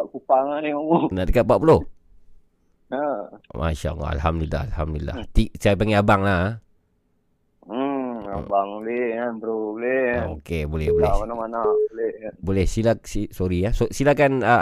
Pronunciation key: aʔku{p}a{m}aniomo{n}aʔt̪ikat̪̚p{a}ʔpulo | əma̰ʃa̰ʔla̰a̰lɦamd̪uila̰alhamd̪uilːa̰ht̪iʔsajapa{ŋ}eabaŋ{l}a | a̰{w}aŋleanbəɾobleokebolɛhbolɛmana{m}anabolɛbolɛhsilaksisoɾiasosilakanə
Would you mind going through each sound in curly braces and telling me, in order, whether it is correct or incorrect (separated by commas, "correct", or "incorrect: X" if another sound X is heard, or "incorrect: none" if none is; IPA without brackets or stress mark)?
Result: correct, incorrect: ŋ, correct, correct, correct, correct, incorrect: b, correct